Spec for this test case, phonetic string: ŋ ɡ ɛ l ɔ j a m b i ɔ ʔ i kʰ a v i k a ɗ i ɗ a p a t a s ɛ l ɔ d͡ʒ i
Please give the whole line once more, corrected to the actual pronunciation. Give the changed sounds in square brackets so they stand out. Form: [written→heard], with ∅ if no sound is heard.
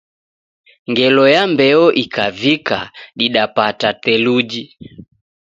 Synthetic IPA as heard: ŋ ɡ ɛ l ɔ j a m b [i→ɛ] ɔ ʔ i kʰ a v i k a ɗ i ɗ a p a t a [s→t] ɛ l [ɔ→u] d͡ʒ i